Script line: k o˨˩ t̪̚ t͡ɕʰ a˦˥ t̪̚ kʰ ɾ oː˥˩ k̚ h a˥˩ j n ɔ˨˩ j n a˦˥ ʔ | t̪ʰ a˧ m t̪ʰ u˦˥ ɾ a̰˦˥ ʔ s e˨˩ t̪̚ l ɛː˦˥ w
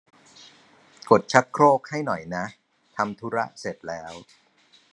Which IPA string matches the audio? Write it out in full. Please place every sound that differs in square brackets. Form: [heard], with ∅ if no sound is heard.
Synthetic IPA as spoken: k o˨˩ t̪̚ t͡ɕʰ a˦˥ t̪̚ kʰ ɾ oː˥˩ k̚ h a˥˩ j n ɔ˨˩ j n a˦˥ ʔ | t̪ʰ a˧ m t̪ʰ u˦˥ ɾ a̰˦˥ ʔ s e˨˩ t̪̚ l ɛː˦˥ w